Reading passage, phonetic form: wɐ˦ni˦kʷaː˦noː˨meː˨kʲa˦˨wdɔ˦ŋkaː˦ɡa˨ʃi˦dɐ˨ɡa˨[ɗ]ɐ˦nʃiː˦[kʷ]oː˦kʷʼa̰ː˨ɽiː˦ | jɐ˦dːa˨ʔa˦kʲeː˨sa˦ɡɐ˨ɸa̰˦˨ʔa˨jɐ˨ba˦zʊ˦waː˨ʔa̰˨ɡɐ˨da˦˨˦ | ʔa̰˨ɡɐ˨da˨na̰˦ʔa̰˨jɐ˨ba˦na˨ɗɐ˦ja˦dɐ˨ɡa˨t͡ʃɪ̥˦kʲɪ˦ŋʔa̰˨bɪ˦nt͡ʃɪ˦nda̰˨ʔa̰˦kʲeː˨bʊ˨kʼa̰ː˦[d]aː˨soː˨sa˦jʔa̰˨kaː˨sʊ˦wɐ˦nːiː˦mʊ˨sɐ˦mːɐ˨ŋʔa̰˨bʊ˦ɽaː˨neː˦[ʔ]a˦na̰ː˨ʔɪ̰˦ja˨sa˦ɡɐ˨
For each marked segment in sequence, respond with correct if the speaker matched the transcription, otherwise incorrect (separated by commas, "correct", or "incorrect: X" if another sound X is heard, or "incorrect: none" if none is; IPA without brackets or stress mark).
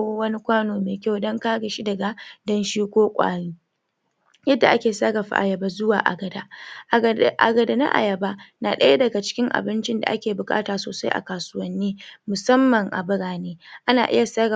incorrect: d, correct, incorrect: t, correct